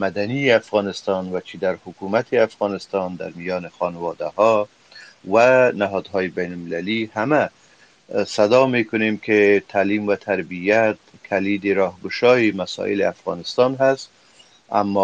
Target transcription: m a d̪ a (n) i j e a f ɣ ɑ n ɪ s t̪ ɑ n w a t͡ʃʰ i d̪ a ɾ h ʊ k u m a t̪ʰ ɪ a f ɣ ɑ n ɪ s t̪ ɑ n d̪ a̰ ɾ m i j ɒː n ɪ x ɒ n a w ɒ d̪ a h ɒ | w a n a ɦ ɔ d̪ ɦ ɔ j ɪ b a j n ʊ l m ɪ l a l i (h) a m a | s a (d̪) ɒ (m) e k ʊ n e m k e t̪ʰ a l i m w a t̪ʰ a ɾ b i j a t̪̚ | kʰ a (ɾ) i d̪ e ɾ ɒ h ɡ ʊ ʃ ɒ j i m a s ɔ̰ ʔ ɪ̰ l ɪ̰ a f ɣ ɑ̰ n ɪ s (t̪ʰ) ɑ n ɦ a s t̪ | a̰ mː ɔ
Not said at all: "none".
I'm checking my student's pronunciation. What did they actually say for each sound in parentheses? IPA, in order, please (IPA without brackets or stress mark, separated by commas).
n, h, d̪, m, l, t̪